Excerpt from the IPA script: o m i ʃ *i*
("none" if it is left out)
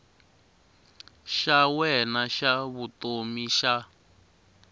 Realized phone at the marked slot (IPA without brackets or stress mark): a